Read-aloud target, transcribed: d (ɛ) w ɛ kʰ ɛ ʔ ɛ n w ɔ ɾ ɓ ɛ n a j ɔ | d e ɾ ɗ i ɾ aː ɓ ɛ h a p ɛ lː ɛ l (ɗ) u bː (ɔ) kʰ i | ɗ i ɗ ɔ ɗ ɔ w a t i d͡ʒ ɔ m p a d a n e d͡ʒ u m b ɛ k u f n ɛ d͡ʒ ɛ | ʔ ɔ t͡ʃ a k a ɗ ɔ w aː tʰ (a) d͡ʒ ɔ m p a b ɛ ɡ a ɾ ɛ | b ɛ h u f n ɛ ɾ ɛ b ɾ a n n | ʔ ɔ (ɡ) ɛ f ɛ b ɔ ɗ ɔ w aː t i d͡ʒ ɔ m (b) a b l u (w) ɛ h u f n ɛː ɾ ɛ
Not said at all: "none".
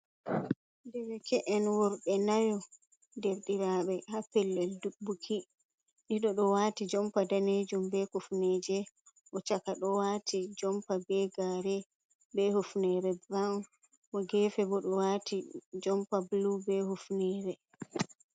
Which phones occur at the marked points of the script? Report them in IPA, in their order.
ɛ, d, u, i, ɡ, p, b

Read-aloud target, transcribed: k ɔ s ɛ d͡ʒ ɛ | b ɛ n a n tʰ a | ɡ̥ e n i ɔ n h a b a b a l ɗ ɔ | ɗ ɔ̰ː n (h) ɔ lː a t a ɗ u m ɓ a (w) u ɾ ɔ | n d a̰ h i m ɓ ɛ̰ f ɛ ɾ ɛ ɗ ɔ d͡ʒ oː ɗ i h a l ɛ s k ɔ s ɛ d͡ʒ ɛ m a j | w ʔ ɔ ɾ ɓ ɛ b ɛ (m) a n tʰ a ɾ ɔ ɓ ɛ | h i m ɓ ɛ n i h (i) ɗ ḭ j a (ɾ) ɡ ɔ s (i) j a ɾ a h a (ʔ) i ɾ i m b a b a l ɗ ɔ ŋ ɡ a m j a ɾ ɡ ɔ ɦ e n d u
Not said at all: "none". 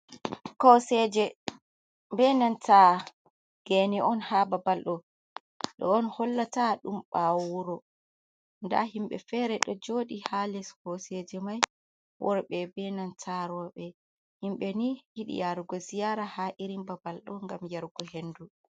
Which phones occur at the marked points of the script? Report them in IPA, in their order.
h, w, n, i, ɾ, i, ʔ

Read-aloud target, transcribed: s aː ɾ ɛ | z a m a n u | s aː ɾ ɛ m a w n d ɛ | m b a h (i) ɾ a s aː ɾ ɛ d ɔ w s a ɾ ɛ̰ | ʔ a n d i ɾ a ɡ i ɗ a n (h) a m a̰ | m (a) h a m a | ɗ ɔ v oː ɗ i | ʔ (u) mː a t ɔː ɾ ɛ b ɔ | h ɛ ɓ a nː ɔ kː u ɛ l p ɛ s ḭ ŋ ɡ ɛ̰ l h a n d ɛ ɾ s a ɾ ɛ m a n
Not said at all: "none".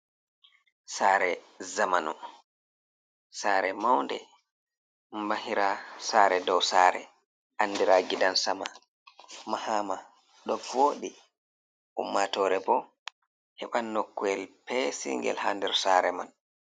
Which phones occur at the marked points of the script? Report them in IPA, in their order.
i, s, a, u

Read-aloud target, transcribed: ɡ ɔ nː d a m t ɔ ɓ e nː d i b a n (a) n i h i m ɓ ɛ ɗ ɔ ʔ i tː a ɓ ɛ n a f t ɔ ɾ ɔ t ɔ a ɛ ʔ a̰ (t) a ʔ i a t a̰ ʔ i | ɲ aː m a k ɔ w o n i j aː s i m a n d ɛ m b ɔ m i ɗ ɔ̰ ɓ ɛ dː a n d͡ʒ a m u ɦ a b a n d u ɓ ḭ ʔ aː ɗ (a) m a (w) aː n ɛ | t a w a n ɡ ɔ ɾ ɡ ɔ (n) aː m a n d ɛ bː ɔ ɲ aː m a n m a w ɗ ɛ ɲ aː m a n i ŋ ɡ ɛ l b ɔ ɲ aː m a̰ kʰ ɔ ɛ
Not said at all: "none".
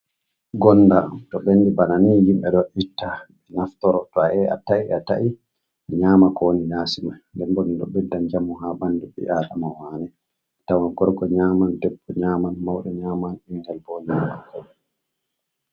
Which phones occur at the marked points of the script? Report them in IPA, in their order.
a, t, a, w, ɲ

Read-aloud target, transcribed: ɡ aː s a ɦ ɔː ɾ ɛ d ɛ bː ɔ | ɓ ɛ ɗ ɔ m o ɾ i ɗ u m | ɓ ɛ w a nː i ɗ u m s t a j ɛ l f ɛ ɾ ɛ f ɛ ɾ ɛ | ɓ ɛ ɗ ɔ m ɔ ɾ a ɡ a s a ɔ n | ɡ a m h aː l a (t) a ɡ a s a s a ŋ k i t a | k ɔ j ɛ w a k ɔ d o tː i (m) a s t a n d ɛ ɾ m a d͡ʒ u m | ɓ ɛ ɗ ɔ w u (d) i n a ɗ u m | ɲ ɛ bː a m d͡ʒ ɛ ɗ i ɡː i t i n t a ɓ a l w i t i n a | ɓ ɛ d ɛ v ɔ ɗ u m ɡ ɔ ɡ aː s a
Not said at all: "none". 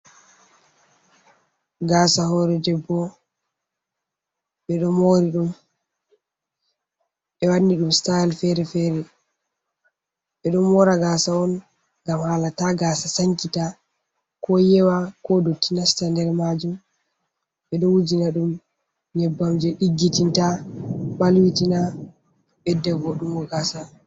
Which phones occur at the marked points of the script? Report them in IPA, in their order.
t, n, d͡ʒ

